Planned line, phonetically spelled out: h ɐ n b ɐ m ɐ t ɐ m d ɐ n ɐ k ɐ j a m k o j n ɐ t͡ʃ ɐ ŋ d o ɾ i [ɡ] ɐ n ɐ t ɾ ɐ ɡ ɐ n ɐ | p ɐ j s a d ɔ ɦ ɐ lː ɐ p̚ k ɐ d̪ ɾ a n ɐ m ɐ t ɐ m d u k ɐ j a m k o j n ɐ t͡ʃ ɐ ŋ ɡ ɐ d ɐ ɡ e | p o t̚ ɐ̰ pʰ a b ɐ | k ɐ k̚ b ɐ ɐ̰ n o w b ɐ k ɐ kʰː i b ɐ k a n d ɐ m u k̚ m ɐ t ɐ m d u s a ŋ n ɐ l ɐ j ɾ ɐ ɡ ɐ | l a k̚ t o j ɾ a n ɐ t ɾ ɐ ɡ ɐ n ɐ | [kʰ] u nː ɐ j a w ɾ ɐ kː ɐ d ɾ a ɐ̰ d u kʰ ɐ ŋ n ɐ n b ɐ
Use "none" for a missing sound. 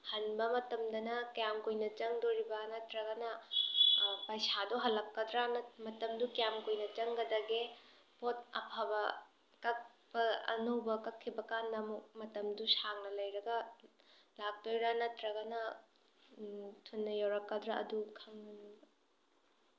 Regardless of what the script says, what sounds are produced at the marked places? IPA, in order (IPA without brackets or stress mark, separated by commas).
b, tʰ